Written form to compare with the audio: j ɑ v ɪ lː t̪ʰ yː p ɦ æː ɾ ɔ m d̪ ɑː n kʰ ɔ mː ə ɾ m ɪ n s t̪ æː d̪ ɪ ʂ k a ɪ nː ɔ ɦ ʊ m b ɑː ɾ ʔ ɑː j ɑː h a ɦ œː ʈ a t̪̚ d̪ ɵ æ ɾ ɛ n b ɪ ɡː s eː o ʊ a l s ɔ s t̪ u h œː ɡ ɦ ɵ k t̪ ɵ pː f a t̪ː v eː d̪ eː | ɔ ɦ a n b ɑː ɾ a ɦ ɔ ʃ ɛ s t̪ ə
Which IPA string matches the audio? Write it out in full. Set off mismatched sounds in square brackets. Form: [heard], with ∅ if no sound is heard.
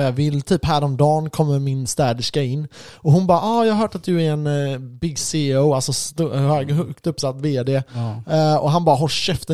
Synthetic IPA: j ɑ v ɪ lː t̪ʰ yː p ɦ æː ɾ ɔ m d̪ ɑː n kʰ ɔ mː ə ɾ m ɪ n s t̪ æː d̪ ɪ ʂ k a ɪ nː ɔ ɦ ʊ [n] b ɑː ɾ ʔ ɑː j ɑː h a ɦ œː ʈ a t̪̚ d̪ ɵ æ ɾ ɛ n b ɪ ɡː s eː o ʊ a l s ɔ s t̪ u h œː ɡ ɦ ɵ k t̪ ɵ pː [s] a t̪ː v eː d̪ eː | ɔ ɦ a n b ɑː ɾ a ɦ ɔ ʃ ɛ [f] t̪ ə